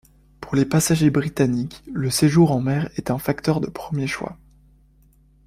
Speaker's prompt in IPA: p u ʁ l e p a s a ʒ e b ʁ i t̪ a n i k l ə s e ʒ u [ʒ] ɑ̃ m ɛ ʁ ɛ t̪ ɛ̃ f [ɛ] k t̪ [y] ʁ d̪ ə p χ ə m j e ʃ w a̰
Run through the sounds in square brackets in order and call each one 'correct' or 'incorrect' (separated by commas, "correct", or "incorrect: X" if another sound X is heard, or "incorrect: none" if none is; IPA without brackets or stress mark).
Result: incorrect: ʁ, incorrect: a, incorrect: œ